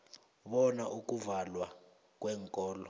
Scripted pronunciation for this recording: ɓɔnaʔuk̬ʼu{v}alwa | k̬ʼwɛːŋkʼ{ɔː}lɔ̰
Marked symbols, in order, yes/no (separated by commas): yes, yes